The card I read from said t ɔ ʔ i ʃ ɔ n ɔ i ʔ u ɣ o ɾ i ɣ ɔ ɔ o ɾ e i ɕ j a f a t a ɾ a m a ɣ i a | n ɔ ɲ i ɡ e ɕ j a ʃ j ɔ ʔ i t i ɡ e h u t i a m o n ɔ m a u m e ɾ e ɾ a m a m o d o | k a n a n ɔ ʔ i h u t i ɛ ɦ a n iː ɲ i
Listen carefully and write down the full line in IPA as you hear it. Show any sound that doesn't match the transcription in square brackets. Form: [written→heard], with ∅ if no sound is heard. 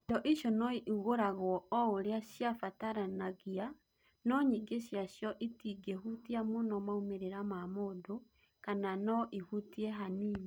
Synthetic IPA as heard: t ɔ ʔ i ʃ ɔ n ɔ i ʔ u ɣ o ɾ [i→a] ɣ ɔ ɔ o ɾ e [i→a] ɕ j a f a t a ɾ a [m→n] a ɣ i a | n ɔ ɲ i ɡ e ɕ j a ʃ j ɔ ʔ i t i ɡ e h u t i a m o n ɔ m a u m e ɾ e ɾ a m a m o d o | k a n a n ɔ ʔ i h u t i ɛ ɦ a n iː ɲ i